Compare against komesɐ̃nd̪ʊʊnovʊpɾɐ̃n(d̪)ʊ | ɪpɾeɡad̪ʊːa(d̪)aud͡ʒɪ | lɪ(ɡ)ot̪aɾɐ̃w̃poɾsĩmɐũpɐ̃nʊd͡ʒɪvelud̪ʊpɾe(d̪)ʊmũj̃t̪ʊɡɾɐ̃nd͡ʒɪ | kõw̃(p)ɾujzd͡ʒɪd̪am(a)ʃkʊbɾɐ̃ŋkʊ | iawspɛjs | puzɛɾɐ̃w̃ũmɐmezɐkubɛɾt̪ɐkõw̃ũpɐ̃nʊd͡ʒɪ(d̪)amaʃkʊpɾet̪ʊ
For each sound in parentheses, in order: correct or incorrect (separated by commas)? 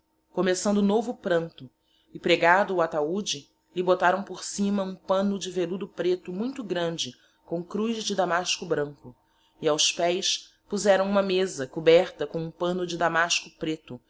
incorrect, incorrect, incorrect, incorrect, incorrect, correct, correct